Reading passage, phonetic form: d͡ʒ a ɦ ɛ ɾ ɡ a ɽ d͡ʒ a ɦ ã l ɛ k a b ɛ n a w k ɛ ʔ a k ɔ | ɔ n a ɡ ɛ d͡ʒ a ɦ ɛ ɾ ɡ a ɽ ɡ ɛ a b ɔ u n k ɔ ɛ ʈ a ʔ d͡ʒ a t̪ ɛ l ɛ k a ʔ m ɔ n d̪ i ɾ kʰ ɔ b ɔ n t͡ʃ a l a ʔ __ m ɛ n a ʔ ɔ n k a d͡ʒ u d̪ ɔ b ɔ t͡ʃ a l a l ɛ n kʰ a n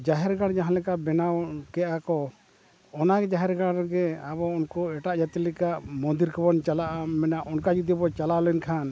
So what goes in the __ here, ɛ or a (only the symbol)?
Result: a